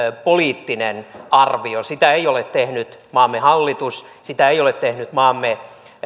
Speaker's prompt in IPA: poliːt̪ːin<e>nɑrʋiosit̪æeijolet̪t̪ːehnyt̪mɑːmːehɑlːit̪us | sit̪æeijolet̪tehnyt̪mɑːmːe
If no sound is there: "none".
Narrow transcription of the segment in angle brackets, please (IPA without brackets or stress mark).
e